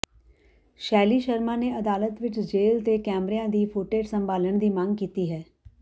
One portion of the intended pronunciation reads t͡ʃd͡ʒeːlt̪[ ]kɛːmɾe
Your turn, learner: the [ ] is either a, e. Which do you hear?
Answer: e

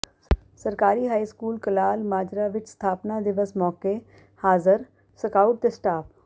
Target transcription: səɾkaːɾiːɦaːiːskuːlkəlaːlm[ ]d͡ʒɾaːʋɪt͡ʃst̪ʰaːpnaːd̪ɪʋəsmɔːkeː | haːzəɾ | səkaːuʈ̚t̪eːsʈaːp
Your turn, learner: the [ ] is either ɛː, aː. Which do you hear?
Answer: aː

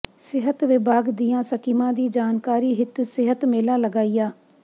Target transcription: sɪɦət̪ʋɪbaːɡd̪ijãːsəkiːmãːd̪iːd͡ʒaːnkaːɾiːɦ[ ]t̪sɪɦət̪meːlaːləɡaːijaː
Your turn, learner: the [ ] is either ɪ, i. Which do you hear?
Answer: ɪ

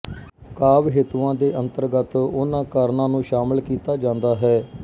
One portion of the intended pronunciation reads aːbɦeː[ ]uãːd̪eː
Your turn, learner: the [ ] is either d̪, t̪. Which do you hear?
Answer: t̪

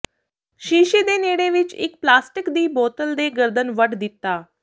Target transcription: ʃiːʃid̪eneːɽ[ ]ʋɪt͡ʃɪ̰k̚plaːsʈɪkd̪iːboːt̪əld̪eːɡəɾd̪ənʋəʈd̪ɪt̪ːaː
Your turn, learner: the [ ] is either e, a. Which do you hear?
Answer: e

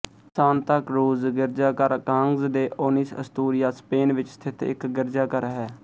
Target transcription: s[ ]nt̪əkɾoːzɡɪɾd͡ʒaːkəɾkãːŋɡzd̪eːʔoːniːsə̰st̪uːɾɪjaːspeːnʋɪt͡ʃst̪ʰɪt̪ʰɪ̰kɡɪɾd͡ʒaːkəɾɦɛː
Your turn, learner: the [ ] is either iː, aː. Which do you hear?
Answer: aː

